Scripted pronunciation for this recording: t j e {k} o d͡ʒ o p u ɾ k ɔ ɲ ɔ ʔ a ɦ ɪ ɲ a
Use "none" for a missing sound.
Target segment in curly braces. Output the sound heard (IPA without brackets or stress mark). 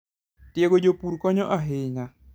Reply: ɡ